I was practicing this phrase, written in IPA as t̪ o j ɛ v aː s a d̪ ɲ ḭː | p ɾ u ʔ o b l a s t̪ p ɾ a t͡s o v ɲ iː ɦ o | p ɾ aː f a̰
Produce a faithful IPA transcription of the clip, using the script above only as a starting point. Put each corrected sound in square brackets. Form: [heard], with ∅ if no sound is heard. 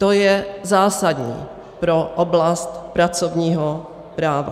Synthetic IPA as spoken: t̪ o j ɛ [z] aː s a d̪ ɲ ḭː | p ɾ [o] ʔ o b l a s t̪ p ɾ a t͡s o v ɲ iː ɦ o | p ɾ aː [v] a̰